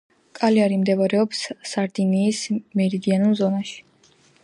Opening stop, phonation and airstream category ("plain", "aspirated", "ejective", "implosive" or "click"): ejective